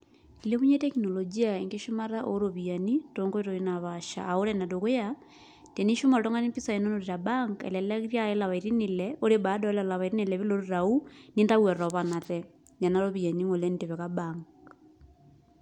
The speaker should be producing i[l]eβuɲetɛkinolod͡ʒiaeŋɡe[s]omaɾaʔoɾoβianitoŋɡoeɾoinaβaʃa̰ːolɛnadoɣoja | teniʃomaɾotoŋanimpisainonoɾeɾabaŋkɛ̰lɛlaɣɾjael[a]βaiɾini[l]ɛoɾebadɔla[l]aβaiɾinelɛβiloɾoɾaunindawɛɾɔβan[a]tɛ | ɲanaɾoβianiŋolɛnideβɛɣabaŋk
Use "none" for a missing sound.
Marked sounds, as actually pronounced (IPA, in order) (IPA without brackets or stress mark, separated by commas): l, ʃ, a, l, l, a